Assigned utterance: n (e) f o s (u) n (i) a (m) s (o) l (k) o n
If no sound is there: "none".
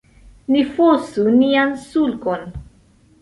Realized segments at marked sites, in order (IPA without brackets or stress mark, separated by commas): i, u, i, n, u, k